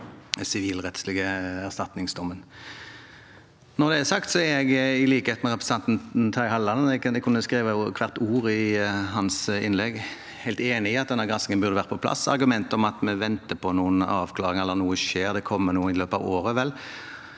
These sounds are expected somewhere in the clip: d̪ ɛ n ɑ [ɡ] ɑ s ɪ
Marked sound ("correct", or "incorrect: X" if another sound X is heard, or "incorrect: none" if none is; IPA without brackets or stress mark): correct